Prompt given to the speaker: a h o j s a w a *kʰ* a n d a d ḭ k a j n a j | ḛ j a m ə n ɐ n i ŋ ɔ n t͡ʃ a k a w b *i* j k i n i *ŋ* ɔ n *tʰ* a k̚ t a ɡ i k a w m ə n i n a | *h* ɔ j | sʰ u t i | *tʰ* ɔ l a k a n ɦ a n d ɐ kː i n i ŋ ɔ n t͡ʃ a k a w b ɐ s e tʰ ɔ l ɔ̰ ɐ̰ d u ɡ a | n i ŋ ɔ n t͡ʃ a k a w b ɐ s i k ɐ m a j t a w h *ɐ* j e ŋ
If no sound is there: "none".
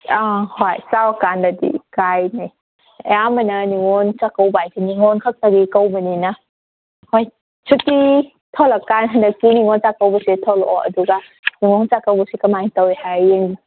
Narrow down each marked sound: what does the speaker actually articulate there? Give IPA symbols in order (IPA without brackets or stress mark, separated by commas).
k, a, ŋ, kʰ, h, tʰ, a